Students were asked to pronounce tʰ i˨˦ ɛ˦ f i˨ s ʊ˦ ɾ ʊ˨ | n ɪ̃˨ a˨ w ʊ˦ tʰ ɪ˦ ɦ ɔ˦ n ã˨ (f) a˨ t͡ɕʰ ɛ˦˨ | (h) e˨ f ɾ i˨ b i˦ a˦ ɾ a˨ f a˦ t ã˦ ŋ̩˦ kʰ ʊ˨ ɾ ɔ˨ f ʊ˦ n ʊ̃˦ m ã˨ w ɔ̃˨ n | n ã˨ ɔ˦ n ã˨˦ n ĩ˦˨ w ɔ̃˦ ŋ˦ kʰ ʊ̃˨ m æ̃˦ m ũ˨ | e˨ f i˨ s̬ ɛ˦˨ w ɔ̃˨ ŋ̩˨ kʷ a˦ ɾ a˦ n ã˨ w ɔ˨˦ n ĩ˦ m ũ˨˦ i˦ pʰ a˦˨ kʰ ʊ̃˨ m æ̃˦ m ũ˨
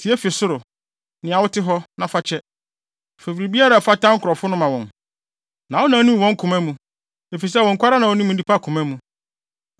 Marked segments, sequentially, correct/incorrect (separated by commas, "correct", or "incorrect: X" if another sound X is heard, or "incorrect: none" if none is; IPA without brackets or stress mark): correct, incorrect: f